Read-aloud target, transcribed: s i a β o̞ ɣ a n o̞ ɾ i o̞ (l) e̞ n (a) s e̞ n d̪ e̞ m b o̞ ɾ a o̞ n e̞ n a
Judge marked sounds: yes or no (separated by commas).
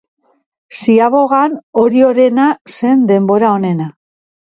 no, yes